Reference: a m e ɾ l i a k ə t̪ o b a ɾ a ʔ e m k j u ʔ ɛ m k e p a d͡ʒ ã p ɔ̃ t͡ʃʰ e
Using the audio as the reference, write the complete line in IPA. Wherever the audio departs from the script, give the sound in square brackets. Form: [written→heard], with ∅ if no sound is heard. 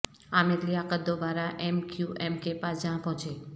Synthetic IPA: a m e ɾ l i a k ə [t̪→d̪] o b a ɾ a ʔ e m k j u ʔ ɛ m k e p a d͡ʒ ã p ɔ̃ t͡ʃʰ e